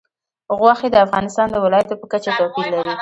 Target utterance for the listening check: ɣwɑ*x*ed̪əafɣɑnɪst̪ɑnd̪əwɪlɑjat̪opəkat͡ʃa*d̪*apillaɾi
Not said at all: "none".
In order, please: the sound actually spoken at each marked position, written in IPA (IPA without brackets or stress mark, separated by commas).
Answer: x, t̪